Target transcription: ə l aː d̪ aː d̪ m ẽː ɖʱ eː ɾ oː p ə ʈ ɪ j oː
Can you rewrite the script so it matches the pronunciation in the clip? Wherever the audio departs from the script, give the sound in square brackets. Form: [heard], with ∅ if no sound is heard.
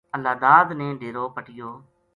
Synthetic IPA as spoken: ə l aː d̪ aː d̪ [n] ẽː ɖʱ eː ɾ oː p ə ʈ ɪ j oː